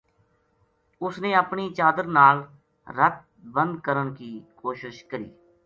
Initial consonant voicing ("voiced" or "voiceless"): voiceless